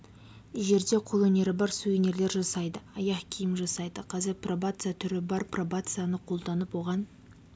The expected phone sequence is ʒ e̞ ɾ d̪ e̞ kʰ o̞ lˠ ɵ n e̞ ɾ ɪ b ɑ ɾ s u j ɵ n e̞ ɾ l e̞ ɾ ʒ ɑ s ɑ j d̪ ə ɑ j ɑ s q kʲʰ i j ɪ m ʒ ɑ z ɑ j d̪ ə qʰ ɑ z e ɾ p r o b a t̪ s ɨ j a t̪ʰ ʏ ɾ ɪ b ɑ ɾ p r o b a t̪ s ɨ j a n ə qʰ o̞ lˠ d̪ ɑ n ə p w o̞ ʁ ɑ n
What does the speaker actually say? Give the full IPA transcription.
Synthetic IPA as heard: ʒ e̞ ɾ d̪ e̞ qʰ o̞ lˠ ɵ n e̞ ɾ ɪ b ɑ ɾ s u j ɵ n e̞ ɾ l e̞ ɾ ʒ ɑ s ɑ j d̪ ə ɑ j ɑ q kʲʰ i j ɪ m ʒ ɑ s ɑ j d̪ ə qʰ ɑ z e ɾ p r o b a t̪ s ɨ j a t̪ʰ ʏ ɾ ɪ b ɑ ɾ p r o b a t̪ s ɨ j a n ə qʰ o̞ lˠ d̪ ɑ n ə p w o̞ ʁ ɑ n